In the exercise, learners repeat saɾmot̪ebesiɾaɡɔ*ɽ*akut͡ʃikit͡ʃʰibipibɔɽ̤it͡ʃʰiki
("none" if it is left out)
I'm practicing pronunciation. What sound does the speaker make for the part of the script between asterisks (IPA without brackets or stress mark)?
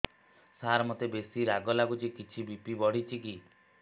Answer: l